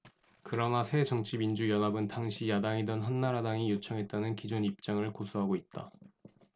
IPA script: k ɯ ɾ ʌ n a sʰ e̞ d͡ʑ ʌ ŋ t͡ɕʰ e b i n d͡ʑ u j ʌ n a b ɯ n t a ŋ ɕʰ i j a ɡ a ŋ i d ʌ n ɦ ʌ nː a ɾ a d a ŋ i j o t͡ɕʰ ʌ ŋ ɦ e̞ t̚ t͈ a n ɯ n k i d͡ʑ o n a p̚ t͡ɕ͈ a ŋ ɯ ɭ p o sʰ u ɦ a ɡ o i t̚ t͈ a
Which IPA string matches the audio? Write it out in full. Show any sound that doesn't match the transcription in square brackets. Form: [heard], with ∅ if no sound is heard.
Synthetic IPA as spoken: k ɯ ɾ ʌ n a sʰ e̞ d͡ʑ ʌ ŋ t͡ɕʰ [i] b i n d͡ʑ u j ʌ n a b ɯ n t a ŋ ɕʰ i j a [d] a ŋ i d ʌ n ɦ ʌ nː a ɾ a d a ŋ i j o t͡ɕʰ ʌ ŋ ɦ e̞ t̚ t͈ a n ɯ n k i d͡ʑ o n [i] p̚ t͡ɕ͈ a ŋ ɯ ɭ [k] o sʰ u ɦ a ɡ o i t̚ t͈ a